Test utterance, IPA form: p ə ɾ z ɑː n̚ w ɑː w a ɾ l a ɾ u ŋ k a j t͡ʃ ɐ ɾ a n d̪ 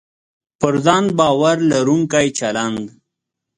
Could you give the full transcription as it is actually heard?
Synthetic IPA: p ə ɾ z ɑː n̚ b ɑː w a ɾ l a ɾ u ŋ k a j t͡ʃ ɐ l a n d̪